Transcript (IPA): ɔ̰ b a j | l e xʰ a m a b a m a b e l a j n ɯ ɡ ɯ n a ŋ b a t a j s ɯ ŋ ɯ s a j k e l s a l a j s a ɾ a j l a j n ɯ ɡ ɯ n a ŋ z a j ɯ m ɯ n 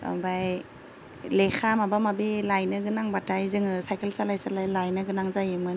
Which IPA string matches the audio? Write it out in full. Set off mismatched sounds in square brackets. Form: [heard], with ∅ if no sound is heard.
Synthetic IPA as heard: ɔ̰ b a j | l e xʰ a m a b a m a b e l a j n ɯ ɡ ɯ n a ŋ b a t a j [z] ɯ ŋ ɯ s a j k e l s a l a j s a [l] a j l a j n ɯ ɡ ɯ n a ŋ z a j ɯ m ɯ n